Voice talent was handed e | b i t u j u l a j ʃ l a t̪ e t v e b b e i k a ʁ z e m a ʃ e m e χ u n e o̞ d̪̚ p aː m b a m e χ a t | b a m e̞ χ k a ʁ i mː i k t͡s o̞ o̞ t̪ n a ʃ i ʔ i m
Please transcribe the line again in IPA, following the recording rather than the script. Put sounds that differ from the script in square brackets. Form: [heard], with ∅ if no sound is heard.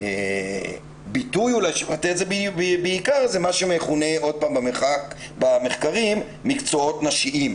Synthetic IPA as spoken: e | b i t u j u l a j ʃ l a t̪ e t [z] e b b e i k a ʁ z e m a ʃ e m e χ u n e o̞ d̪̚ p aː m b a m e χ a [k] | b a m e̞ χ k a ʁ i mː i k t͡s o̞ o̞ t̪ n a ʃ i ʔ i m